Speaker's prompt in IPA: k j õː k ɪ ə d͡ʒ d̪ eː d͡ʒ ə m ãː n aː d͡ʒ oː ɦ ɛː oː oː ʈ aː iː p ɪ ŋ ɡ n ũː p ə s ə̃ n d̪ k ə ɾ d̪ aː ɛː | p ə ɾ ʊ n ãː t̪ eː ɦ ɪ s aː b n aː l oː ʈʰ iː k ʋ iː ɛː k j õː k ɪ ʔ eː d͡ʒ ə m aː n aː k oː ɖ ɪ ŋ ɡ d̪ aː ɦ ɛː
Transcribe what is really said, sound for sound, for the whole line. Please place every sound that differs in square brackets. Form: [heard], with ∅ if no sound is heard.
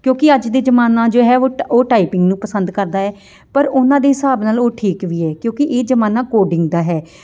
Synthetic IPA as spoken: k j õː k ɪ ə d͡ʒ d̪ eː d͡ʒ ə m [aː] n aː d͡ʒ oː ɦ ɛː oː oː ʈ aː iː p ɪ ŋ ɡ n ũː p ə s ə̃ n d̪ k ə ɾ d̪ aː ɛː | p ə ɾ ʊ n ãː [d̪] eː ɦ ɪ s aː b n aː l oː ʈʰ iː k ʋ iː ɛː k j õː k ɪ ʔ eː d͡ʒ ə m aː n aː k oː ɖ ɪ ŋ ɡ d̪ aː ɦ ɛː